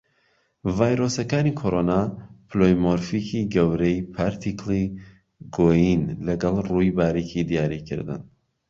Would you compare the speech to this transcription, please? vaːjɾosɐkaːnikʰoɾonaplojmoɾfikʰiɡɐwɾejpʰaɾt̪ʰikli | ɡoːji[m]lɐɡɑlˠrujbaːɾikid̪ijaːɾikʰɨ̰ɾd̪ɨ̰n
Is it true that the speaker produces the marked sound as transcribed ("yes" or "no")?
no